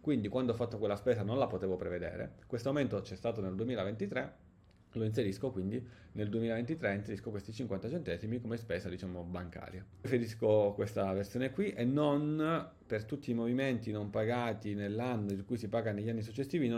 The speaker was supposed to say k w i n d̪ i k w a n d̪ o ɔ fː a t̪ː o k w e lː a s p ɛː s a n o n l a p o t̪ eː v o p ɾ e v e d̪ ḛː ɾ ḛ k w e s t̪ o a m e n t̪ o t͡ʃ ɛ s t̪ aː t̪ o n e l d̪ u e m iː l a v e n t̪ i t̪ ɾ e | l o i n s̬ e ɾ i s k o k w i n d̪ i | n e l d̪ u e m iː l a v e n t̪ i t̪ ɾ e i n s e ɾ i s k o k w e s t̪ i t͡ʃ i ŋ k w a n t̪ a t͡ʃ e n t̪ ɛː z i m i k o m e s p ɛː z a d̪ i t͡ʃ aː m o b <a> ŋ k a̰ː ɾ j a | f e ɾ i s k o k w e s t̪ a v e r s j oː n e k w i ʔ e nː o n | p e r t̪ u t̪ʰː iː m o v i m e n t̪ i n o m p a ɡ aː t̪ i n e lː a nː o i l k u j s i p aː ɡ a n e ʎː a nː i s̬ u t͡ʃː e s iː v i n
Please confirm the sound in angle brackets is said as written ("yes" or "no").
yes